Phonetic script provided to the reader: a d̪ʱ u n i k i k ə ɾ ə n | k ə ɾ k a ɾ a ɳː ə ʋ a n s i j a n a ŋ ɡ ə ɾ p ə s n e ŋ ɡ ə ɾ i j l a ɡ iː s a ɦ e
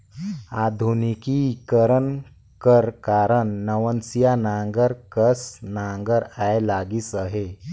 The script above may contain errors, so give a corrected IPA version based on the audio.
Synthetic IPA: a d̪ʱ u n i k i k ə ɾ ə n | k ə ɾ k a ɾ ə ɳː ə ʋ ə n s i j a n a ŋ ɡ ə ɾ k ə s n a ŋ ɡ ə ɾ a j l a ɡ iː s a ɦ e